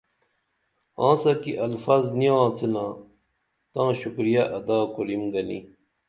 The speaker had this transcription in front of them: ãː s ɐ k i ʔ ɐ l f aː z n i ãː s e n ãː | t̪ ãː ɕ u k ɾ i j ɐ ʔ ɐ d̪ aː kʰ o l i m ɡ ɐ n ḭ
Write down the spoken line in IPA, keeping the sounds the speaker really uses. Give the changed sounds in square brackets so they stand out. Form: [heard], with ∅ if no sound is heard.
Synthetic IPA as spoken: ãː s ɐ k i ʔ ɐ l f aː z n i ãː [t͡s] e n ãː | t̪ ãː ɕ u k ɾ i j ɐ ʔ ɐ d̪ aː [k] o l i m ɡ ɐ n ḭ